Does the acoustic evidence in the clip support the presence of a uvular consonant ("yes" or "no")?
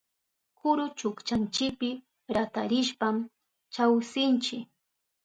no